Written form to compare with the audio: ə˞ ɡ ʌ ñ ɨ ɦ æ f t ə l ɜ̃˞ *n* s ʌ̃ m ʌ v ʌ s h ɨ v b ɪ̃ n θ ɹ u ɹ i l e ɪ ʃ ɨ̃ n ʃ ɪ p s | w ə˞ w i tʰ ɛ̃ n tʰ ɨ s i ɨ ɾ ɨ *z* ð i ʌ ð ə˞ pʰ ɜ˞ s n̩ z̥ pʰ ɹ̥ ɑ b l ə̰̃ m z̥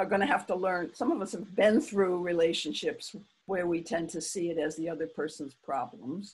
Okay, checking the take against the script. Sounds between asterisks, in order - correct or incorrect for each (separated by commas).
correct, correct